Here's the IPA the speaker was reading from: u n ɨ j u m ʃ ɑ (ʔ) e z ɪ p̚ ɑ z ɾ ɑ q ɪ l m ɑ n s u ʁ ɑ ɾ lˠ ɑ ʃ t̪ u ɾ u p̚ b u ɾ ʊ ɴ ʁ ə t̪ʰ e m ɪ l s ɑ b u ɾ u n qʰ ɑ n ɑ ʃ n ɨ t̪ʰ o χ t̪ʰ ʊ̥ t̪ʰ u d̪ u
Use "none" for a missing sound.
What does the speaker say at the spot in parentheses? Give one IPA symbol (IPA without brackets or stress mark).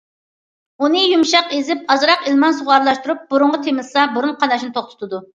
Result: q